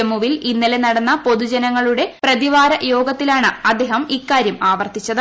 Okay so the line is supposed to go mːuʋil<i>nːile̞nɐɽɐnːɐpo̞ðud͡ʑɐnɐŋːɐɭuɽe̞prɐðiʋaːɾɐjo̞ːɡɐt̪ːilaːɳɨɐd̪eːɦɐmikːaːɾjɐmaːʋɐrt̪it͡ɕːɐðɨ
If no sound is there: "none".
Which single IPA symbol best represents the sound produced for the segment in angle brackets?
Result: i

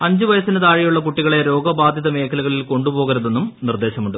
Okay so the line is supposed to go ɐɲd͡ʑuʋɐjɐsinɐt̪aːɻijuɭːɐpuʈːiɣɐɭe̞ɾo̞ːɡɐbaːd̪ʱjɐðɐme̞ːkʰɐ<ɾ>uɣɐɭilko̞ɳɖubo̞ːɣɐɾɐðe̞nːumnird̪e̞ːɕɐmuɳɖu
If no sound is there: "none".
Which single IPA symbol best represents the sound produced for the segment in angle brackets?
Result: l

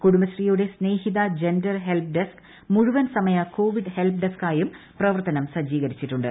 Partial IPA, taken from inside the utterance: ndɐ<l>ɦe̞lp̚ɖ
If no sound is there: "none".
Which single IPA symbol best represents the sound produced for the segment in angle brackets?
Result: r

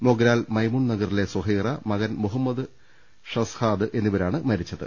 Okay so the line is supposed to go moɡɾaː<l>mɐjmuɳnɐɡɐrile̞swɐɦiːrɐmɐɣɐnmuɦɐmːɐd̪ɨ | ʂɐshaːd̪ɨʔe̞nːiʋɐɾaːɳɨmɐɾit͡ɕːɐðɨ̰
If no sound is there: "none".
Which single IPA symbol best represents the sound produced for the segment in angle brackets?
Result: l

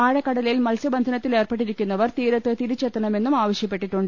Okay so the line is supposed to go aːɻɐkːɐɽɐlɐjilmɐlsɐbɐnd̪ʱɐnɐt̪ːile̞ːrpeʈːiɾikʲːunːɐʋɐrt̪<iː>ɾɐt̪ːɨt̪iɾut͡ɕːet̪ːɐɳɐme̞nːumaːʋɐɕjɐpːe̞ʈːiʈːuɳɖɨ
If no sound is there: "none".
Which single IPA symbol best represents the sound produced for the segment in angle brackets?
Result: iː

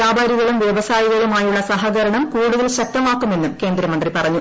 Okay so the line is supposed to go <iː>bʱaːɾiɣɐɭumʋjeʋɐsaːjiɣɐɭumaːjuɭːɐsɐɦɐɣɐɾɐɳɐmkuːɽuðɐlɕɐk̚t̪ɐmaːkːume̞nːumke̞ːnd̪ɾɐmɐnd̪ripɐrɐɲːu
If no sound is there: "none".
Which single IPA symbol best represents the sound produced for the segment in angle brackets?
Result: aː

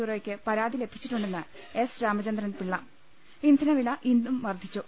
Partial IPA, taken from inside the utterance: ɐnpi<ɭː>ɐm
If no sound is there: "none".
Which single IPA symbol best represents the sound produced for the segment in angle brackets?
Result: ɭː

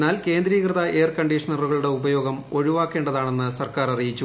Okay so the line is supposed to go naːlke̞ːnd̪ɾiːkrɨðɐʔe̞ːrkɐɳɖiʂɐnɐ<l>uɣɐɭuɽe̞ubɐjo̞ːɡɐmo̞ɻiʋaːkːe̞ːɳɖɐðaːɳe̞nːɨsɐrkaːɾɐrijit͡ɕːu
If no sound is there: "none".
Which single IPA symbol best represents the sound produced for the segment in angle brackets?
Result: r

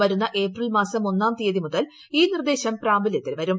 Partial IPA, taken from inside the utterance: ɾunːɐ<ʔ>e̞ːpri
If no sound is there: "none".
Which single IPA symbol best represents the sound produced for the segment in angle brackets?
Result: ʔ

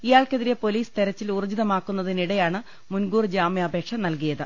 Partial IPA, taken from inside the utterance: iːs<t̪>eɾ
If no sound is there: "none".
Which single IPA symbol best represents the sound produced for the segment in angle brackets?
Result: t̪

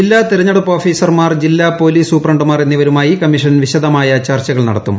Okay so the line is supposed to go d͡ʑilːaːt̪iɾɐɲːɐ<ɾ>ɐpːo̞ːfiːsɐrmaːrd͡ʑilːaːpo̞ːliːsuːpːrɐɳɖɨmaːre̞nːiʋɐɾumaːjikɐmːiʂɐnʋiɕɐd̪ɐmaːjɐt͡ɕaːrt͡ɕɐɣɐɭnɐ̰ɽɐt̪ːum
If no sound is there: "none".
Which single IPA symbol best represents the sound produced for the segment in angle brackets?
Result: ɽ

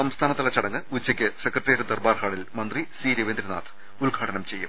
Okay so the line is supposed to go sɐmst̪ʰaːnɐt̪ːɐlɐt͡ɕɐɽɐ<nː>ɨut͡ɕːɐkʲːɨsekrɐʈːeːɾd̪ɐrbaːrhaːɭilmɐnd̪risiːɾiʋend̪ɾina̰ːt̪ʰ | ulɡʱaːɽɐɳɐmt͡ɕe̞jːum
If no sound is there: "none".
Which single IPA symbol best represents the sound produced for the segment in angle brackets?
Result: ŋː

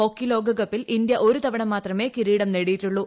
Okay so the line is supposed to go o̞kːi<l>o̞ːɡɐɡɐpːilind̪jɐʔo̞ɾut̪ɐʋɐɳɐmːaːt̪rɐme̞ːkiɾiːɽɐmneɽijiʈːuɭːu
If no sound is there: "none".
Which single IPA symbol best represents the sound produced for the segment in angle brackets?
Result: l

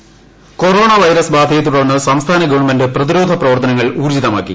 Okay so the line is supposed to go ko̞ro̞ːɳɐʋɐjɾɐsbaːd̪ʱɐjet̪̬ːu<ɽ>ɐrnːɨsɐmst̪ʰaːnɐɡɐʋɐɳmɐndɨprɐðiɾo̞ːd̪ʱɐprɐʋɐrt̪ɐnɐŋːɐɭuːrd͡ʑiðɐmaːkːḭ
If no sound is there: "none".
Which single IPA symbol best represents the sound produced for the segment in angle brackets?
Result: ɽ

